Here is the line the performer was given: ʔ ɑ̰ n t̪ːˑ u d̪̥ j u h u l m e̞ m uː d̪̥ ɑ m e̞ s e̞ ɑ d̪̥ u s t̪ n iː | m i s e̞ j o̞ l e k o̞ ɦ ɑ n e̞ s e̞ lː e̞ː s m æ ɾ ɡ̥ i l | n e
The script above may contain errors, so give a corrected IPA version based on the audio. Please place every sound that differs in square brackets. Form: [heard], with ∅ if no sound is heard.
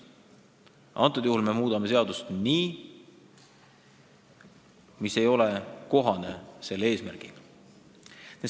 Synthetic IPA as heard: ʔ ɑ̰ n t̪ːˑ u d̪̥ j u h u l m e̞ m uː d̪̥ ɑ m e̞ s e̞ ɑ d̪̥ u s t̪ n iː | m i s e̞ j o̞ l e k o̞ ɦ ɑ n e̞ s e̞ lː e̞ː s m æ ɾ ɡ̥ i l | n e